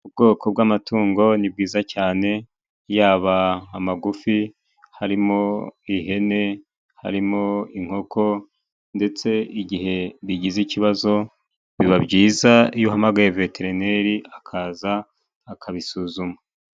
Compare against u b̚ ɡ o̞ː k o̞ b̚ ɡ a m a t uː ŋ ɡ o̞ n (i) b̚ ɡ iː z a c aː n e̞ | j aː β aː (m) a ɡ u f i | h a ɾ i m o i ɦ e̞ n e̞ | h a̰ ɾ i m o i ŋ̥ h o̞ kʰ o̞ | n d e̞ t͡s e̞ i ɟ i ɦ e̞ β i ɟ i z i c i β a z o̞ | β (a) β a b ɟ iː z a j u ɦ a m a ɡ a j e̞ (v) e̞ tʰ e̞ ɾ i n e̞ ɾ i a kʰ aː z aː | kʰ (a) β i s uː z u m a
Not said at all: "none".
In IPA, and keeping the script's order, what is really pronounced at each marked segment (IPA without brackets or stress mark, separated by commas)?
i, m, i, v, a